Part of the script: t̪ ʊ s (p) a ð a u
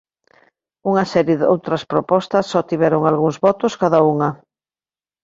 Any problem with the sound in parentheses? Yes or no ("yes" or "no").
yes